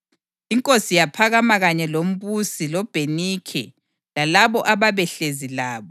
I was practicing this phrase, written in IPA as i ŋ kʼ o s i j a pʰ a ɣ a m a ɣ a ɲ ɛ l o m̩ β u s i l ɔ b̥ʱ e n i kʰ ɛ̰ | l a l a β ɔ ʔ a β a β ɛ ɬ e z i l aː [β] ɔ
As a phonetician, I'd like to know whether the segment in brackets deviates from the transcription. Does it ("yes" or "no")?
no